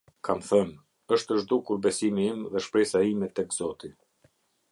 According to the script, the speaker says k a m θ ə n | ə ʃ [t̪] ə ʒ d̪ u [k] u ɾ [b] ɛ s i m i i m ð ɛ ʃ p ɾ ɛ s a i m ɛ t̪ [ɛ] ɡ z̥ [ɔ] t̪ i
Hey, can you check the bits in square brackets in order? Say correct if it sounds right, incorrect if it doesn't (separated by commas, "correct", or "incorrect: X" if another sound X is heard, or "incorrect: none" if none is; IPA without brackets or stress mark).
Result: correct, correct, correct, correct, correct